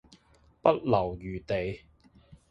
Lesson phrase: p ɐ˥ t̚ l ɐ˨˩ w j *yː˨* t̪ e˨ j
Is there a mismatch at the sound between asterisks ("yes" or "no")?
no